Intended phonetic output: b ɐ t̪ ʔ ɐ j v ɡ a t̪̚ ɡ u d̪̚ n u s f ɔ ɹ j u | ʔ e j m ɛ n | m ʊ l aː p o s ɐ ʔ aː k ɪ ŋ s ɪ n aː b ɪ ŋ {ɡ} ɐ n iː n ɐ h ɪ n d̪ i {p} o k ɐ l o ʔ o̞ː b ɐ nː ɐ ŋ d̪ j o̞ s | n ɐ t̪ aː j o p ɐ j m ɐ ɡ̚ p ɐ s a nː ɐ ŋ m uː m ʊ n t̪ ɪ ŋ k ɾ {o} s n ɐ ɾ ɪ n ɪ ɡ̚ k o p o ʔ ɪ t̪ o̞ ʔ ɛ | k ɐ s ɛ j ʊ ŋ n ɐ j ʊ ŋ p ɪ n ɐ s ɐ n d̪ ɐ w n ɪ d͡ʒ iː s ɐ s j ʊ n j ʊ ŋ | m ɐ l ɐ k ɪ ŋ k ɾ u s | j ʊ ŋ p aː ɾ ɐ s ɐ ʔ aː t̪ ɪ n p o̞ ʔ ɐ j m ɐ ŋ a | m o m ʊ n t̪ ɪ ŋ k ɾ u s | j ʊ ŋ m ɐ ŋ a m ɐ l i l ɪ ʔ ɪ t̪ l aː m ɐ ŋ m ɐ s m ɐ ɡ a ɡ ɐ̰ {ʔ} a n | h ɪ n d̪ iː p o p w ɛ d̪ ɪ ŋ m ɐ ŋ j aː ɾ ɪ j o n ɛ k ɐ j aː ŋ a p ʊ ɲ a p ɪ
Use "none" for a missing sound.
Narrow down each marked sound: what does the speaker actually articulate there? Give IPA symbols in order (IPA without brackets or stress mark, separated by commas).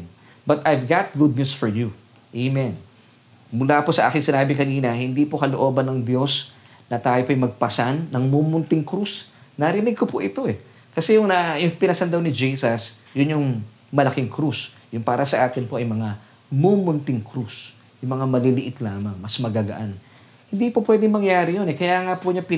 k, p, u, ʔ